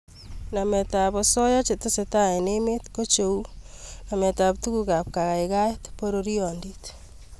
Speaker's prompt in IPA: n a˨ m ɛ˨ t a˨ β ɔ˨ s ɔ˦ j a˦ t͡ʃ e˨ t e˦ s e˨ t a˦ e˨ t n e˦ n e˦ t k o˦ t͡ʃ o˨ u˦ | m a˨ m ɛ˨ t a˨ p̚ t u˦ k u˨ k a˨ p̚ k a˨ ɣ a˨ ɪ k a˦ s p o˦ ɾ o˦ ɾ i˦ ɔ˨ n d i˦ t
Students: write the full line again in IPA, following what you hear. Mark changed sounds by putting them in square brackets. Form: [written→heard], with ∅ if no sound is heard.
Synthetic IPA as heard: n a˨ m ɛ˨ t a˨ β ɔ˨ s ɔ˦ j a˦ t͡ʃ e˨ t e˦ s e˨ t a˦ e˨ [t→∅] n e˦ [n→m] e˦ t k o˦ t͡ʃ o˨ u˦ | [m→n] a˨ m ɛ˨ t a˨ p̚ t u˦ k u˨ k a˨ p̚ k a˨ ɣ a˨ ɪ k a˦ [s→t] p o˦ ɾ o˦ ɾ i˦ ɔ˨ n d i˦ t

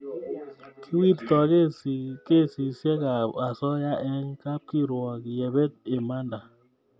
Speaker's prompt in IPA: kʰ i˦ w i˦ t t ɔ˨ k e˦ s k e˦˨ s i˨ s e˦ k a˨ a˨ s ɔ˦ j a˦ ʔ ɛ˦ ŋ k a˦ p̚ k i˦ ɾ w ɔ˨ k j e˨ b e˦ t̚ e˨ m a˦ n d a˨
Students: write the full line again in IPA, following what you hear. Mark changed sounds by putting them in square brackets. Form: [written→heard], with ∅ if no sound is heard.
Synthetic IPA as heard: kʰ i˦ w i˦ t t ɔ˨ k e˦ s k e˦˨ s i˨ s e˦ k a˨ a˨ s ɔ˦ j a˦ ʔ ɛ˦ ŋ k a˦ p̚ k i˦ ɾ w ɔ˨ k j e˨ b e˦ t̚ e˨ m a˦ n d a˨

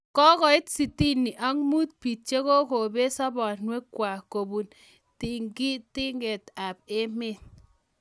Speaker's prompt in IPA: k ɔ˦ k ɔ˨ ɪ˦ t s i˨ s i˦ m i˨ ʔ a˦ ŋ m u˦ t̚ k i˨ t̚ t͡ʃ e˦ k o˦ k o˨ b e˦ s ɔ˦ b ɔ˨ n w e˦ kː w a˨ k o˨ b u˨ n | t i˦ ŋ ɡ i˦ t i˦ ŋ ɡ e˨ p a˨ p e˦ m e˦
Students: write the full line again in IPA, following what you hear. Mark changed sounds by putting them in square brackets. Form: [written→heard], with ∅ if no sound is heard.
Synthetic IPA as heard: k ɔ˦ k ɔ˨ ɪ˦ t s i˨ [s→t] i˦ [m→n] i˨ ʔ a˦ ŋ m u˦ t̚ [k→p] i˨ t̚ t͡ʃ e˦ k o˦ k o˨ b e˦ s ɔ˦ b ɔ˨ n w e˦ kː w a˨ k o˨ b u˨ n | t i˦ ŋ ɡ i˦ t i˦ ŋ ɡ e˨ [p→t] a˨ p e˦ m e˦

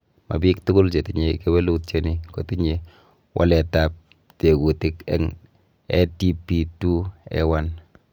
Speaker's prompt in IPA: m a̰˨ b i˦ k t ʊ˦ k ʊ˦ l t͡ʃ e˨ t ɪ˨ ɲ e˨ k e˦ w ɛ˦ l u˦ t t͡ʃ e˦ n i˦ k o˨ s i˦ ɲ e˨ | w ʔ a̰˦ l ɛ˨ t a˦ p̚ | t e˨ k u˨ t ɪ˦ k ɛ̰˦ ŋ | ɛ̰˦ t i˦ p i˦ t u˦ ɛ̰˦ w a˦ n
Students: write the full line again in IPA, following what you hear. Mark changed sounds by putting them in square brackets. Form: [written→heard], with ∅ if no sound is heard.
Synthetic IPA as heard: m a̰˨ b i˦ k t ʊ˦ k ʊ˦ l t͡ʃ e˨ t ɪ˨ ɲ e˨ k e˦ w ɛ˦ l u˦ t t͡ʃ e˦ n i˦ k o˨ [s→t] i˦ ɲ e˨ | w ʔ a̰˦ l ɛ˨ t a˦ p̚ | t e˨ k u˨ t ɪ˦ k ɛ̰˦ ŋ | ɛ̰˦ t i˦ p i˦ t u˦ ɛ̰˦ w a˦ n

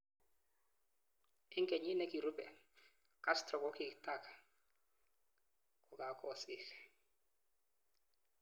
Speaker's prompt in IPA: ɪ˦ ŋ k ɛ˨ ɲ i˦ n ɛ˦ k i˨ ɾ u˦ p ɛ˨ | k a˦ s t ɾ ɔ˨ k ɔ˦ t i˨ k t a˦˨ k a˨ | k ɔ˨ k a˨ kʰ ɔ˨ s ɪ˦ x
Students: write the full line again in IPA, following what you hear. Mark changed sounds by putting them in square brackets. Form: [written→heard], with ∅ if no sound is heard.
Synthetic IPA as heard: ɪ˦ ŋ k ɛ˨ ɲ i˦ n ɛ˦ k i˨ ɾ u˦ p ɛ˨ | k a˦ s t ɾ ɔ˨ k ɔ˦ [t→k] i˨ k t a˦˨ k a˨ | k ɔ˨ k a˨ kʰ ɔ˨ s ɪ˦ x

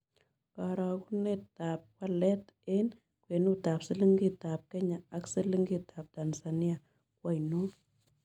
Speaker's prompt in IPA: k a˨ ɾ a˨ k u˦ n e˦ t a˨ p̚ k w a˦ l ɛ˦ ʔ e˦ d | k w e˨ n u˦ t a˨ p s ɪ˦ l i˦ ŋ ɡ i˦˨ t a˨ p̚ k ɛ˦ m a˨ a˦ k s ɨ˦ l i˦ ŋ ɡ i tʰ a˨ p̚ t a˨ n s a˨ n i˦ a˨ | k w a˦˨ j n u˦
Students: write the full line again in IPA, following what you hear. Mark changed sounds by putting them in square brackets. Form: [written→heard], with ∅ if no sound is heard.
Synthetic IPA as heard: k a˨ ɾ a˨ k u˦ n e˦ t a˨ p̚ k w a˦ l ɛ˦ [ʔ→t] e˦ [d→n] | k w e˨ n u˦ t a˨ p s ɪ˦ l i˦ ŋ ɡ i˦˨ t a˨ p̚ k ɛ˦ [m→ɲ] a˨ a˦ k s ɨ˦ l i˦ ŋ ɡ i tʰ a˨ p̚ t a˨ n s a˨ n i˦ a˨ | k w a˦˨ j n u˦

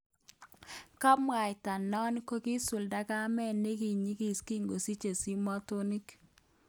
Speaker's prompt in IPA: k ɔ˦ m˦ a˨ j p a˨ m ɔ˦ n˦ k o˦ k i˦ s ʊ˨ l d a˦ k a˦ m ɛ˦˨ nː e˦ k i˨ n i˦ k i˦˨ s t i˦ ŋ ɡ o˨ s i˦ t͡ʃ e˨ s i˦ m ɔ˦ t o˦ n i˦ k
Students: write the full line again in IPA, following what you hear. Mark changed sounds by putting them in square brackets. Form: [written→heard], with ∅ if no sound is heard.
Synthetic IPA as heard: k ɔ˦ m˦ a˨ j [p→t] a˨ [m→n] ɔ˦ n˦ k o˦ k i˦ s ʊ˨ l d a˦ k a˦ m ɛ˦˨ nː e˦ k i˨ [n→ɲ] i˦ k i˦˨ s [t→k] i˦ ŋ ɡ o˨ s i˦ t͡ʃ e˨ s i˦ m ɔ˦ t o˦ n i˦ k

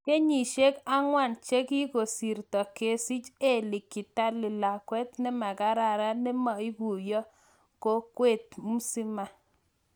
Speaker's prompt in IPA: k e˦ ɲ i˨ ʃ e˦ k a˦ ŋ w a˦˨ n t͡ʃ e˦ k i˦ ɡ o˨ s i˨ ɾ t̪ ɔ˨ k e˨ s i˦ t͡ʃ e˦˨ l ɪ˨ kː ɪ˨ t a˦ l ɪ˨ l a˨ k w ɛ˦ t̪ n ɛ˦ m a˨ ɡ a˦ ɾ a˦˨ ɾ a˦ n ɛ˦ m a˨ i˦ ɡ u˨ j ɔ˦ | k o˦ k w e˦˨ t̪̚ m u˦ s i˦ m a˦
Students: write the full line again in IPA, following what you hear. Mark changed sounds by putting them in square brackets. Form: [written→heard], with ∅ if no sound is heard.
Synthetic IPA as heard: k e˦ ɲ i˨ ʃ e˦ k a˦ ŋ w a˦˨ n t͡ʃ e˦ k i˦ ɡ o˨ s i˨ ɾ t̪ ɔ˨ k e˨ s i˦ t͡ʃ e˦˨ l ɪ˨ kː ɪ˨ t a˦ l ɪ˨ l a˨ k w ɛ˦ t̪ n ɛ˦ m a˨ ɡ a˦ ɾ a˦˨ ɾ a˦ n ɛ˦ m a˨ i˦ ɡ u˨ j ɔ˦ | k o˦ k w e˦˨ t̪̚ m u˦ s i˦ m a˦

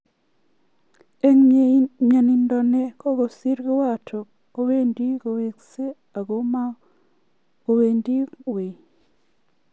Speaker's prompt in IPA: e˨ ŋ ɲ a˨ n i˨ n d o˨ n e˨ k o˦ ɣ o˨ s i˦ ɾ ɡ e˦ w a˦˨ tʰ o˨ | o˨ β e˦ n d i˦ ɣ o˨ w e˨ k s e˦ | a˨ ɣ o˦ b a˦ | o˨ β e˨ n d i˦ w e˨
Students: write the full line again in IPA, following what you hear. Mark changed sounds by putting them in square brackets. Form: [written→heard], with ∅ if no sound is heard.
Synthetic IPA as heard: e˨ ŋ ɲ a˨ n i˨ n d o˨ n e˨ k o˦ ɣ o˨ s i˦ ɾ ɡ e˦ w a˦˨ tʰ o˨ | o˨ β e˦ n d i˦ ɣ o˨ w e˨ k s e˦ | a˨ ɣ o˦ [b→m] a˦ | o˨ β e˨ n d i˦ w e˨

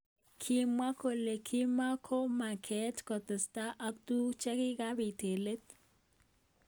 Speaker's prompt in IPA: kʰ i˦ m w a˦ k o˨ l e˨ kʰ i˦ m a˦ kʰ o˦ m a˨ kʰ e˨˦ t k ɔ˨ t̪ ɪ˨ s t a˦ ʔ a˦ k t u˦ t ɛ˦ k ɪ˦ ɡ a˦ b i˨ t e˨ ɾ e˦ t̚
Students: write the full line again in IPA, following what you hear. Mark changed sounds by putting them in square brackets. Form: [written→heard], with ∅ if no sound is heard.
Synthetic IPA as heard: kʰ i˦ m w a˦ k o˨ l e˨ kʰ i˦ m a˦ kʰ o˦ m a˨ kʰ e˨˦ t k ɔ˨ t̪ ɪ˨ s t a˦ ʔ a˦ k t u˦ [t→t͡ʃ] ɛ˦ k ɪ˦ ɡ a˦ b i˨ t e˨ [ɾ→l] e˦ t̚

